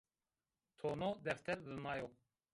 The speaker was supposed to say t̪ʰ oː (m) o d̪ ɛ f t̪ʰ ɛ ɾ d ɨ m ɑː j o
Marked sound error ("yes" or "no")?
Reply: yes